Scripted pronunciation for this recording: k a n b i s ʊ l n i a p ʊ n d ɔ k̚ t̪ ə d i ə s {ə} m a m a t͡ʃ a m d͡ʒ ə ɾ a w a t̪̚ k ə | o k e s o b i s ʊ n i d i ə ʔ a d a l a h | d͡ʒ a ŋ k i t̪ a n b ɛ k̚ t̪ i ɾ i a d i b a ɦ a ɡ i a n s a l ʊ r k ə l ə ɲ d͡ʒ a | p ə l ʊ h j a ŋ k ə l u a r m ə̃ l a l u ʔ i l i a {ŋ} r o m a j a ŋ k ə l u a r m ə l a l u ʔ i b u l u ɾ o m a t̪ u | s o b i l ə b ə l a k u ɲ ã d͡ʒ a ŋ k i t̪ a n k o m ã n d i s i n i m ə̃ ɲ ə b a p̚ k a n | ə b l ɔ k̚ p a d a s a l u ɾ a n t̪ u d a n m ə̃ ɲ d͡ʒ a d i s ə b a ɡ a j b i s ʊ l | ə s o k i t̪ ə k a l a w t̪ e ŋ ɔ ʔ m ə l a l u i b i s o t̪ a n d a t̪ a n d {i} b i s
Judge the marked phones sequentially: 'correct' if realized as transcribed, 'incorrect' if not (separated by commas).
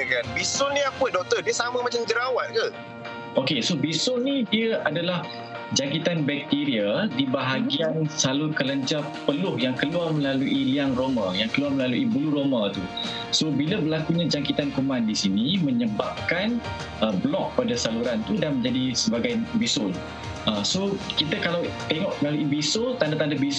incorrect, correct, incorrect